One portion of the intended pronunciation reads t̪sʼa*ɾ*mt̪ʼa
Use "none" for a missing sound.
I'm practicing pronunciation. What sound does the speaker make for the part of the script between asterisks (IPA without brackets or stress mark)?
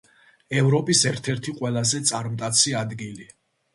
ɾ